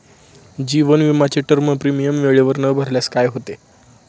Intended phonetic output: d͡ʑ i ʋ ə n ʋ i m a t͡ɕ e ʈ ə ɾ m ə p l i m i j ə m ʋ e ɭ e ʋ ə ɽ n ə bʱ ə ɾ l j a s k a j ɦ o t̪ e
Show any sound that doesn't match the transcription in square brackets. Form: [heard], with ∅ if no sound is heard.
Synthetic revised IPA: d͡ʑ i ʋ ə n ʋ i m a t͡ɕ e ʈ ə ɾ m ə p [ɾ] i m i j ə m ʋ e ɭ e ʋ ə [ɾ] n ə bʱ ə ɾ l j a s k a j ɦ o t̪ e